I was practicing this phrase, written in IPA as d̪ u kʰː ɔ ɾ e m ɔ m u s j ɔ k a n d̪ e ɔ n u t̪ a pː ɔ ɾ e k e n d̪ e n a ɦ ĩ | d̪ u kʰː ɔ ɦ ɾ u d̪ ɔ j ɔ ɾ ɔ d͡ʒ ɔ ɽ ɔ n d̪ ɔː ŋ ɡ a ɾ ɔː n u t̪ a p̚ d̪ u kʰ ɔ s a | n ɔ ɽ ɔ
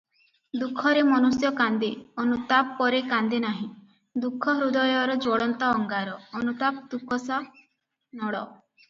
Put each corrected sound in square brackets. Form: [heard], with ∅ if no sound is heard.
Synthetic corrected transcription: d̪ u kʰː ɔ ɾ e m ɔ [n] u s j ɔ k a n d̪ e ɔ n u t̪ a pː ɔ ɾ e k [a] n d̪ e n a ɦ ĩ | d̪ u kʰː ɔ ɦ ɾ u d̪ ɔ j ɔ ɾ ɔ d͡ʒ ɔ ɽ ɔ n [t̪] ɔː ŋ ɡ a ɾ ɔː n u t̪ a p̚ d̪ u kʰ ɔ s a | n ɔ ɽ ɔ